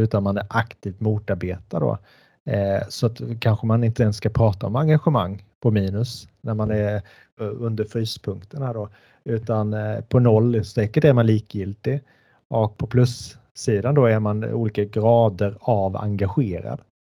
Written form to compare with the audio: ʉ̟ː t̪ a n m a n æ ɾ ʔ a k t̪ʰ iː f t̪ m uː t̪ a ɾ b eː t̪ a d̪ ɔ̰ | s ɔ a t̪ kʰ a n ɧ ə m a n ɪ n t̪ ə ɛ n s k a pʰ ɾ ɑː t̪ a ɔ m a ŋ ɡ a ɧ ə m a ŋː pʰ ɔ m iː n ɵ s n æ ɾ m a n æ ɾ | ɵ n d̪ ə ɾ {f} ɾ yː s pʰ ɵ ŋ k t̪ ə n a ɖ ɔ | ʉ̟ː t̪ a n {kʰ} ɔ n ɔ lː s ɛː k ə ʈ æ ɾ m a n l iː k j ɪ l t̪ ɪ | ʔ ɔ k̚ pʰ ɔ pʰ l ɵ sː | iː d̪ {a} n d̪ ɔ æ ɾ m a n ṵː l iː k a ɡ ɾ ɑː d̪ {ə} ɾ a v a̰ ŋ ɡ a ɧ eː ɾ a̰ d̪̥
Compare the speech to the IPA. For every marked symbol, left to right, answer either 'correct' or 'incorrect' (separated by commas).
correct, incorrect, correct, correct